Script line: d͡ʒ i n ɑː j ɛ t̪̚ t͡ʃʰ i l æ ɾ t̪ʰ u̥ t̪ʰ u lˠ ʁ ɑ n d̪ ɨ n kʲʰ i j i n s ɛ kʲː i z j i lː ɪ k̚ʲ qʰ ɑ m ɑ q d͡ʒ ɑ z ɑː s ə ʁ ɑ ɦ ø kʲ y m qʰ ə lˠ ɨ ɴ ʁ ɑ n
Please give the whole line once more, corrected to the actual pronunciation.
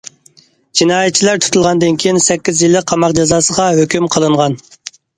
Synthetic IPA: d͡ʒ i n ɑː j ɛ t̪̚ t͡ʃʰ i l æ ɾ t̪ʰ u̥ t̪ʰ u lˠ ʁ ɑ n d̪ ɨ n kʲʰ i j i n s ɛ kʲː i z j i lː ɪ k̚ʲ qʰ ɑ m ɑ q d͡ʒ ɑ z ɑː s ə ʁ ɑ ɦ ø kʲ y m qʰ ə lˠ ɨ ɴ ʁ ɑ n

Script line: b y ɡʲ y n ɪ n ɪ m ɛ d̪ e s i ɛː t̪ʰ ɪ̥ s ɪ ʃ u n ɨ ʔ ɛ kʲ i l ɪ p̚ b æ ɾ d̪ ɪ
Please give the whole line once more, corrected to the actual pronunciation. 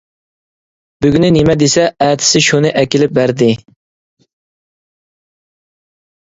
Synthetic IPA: b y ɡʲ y n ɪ n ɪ m ɛ d̪ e s ɛ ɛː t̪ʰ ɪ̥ s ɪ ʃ u n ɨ ʔ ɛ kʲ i l ɪ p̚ b æ ɾ d̪ ɪ

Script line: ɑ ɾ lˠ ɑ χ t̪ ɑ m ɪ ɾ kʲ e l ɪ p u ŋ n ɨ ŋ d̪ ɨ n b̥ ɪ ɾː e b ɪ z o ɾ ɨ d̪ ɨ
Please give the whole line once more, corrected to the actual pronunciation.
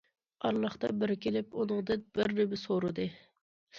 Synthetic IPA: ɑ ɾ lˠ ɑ χ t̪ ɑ b ɪ ɾ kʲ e l ɪ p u n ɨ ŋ d̪ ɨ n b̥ ɪ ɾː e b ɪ s o ɾ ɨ d̪ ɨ

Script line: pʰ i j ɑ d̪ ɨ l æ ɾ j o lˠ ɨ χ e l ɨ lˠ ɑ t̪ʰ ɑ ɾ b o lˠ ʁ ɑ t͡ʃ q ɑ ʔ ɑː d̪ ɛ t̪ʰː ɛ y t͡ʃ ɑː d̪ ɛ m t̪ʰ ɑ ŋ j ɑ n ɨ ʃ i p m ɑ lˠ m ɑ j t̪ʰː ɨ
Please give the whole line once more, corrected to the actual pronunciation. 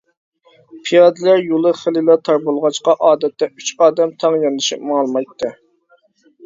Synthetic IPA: pʰ i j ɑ d̪ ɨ l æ ɾ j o lˠ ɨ χ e l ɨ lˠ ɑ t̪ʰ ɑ ɾ b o lˠ ʁ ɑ t͡ʃ q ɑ ʔ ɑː d̪ ɛ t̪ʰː ɛ y t͡ʃ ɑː d̪ ɛ m t̪ʰ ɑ ŋ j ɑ n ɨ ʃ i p m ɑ lˠ m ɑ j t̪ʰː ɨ

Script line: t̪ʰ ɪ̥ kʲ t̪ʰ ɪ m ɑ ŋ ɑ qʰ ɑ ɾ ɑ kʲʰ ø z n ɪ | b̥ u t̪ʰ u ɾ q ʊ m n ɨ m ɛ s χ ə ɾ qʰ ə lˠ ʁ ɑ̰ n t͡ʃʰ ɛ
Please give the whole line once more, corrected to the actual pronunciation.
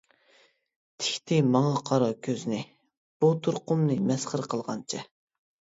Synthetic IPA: t̪ʰ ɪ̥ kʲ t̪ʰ ɪ m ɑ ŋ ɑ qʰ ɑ ɾ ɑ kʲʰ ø z n ɪ | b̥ u t̪ʰ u ɾ q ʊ m n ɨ m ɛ s χ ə ɾ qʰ ə lˠ ʁ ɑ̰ n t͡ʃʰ ɛ

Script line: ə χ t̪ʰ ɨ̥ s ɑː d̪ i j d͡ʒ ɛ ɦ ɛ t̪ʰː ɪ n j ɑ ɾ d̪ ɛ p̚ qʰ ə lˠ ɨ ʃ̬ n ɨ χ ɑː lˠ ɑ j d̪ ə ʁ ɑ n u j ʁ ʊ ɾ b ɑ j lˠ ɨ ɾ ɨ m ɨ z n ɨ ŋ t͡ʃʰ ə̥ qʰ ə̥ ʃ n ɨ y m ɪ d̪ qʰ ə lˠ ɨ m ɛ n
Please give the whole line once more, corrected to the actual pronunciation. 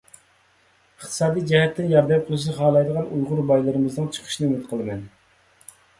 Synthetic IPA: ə χ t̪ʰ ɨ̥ s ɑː d̪ i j d͡ʒ ɛ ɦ ɛ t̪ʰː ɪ n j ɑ ɾ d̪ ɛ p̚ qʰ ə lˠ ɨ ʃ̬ n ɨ χ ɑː lˠ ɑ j d̪ ə ʁ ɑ n u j ʁ ʊ ɾ b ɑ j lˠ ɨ ɾ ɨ m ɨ z n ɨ ŋ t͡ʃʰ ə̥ qʰ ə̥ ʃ n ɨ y m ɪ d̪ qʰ ə lˠ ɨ m ɛ n

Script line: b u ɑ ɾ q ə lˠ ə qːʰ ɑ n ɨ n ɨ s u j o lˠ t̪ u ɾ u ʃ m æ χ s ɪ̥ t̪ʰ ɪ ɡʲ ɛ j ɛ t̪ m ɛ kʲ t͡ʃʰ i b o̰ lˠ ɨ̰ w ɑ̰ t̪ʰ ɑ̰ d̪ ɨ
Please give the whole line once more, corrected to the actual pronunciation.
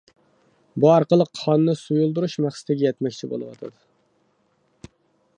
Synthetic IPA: b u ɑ ɾ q ə lˠ ə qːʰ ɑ n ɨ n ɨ s u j u lˠ d̪ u ɾ u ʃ m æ χ s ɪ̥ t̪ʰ ɪ ɡʲ ɛ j ɛ t̪ m ɛ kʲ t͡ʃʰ i b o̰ lˠ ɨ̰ w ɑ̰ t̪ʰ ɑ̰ d̪ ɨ

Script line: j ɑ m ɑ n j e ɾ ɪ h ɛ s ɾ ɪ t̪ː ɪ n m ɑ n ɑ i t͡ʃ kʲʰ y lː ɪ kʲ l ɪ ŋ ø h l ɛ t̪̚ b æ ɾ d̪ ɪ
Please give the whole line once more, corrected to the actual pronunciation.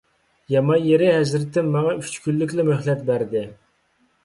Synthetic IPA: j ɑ m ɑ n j e ɾ ɪ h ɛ z ɾ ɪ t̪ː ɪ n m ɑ ŋ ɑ y t͡ʃ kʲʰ y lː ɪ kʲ l ɪ m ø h l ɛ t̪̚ b æ ɾ d̪ ɪ

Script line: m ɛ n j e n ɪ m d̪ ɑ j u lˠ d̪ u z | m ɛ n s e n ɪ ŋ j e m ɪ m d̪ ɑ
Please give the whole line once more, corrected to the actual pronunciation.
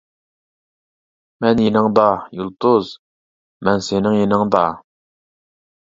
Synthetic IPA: m ɛ n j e n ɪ ŋ d̪ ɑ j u lˠ t̪ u z | m ɛ n s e n ɪ ŋ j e n ɪ ŋ d̪ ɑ

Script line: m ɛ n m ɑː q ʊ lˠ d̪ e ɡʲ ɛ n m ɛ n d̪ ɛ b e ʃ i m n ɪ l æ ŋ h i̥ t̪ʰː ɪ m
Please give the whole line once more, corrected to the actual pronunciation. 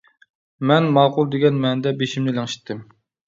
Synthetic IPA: m ɛ n m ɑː q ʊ lˠ d̪ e ɡʲ ɛ n m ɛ n d̪ ɛ b e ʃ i m n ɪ l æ ŋ ʃ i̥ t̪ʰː ɪ m

